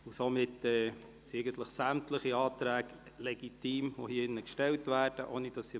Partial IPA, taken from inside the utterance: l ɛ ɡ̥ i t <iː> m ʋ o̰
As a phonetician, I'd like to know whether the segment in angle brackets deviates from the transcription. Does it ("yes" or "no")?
no